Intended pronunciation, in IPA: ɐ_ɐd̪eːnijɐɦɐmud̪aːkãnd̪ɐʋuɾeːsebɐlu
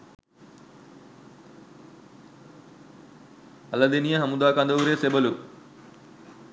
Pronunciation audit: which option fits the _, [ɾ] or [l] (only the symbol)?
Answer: l